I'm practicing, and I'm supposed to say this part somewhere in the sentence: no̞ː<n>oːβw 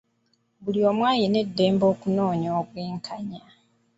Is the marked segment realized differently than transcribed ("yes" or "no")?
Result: yes